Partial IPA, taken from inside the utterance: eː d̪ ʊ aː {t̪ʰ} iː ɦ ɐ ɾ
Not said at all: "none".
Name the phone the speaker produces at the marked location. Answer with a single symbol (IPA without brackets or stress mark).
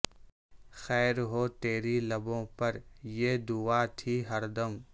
t̪ʰ